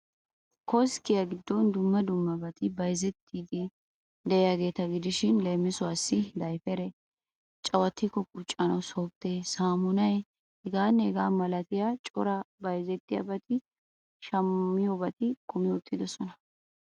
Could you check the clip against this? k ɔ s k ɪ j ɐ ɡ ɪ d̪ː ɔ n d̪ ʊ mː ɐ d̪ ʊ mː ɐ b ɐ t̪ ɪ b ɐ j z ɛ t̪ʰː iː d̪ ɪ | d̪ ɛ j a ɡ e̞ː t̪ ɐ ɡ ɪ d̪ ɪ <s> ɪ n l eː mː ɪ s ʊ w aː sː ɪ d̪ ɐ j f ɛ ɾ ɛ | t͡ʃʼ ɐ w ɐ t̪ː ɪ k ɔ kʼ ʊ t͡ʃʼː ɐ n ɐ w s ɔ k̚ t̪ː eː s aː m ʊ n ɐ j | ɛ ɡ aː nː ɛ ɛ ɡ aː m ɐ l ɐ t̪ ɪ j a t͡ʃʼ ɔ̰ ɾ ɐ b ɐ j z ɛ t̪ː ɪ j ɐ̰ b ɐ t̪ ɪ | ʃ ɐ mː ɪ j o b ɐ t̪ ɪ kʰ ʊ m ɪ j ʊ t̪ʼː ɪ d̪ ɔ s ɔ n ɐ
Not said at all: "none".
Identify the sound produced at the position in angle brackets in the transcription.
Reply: ʃ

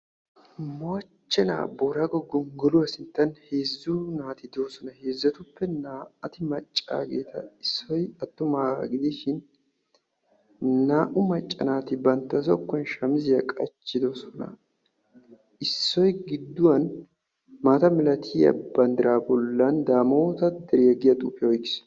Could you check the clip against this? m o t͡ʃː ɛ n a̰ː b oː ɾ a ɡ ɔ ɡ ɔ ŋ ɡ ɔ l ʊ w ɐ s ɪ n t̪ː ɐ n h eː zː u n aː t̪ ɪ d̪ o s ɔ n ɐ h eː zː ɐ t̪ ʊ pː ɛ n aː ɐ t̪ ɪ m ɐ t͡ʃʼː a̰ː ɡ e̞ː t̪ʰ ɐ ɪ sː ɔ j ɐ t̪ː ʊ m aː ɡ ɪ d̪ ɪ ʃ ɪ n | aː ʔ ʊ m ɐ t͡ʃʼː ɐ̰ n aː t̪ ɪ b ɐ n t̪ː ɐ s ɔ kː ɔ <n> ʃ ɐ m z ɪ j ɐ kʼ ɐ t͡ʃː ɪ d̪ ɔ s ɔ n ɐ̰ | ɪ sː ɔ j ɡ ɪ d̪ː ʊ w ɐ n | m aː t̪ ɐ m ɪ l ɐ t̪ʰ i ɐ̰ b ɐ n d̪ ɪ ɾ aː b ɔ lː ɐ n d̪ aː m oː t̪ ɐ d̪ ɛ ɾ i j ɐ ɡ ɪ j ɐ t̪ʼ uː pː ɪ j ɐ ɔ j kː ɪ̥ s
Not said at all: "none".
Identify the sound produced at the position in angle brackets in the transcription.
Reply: n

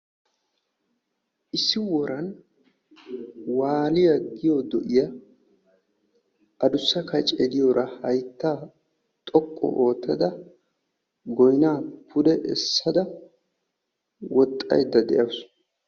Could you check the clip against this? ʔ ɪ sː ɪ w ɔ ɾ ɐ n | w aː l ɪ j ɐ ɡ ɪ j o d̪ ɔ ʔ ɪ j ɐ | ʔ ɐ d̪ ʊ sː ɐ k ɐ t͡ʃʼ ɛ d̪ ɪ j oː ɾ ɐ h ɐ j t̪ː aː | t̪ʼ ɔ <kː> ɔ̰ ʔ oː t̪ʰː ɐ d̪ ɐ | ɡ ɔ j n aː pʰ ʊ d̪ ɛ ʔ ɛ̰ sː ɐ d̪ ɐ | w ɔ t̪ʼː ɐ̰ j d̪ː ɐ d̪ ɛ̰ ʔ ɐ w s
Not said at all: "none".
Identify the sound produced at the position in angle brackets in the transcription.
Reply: kʼː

